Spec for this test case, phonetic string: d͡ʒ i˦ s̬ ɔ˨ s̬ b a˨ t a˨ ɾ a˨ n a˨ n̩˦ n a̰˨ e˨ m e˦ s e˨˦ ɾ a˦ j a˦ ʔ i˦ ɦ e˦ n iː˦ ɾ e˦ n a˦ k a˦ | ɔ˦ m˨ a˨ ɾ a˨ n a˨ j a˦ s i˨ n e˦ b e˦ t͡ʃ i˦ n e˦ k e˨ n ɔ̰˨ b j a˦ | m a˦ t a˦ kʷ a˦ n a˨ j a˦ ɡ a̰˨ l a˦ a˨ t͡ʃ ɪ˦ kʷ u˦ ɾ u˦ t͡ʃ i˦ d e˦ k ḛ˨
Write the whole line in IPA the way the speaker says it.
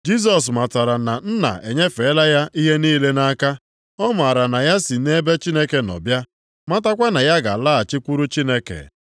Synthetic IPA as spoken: d͡ʒ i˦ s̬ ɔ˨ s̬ m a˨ t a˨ ɾ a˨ n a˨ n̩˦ n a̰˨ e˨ ɲ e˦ f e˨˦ l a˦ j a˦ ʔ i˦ ɦ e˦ n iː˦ l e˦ n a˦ k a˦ | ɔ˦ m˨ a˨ ɾ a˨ n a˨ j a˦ s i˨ n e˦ b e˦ t͡ʃ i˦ n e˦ k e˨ n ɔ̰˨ b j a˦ | m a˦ t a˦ kʷ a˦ n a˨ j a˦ ɡ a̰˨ l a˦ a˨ t͡ʃ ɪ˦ kʷ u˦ ɾ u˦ t͡ʃ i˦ n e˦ k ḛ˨